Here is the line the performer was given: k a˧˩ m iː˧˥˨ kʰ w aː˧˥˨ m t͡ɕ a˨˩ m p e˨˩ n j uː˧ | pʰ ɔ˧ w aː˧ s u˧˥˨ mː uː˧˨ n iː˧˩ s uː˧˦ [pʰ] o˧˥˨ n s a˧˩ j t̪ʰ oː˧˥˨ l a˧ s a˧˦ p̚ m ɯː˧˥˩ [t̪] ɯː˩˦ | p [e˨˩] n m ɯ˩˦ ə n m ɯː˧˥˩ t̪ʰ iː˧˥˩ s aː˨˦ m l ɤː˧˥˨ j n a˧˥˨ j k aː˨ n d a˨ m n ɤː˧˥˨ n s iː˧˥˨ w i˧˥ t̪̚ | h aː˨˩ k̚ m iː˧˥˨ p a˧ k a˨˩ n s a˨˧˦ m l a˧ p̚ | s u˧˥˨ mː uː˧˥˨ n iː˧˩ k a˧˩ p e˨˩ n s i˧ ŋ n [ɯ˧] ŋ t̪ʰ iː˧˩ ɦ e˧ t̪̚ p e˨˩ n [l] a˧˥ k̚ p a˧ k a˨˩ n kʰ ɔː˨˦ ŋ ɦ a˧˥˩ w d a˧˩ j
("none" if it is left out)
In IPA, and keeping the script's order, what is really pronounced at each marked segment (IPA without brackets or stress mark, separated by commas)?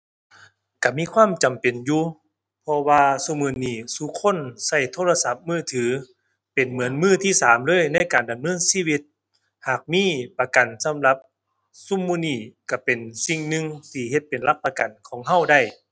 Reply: kʰ, t̪ʰ, e˨˩, ɯ˧, l